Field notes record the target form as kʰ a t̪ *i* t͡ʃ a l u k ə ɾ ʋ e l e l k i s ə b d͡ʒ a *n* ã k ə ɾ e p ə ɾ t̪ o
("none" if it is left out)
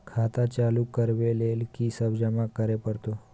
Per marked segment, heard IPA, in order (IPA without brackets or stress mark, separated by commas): a, m